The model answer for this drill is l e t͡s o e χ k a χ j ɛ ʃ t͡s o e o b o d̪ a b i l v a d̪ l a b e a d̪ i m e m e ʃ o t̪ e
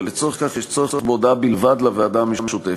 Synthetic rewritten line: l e t͡s o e χ k a χ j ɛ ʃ t͡s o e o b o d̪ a b i l v a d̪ l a v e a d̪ a m e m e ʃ u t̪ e